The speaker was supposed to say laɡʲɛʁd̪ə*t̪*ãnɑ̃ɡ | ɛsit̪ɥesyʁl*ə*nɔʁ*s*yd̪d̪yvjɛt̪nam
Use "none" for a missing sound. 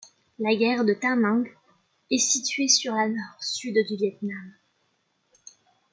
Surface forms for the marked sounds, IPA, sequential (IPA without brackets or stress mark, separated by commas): t̪, a, s